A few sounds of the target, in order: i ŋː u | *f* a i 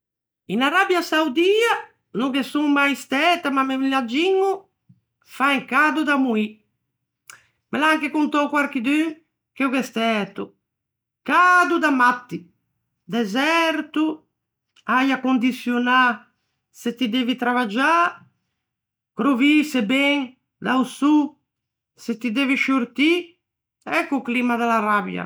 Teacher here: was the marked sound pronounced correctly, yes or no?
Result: yes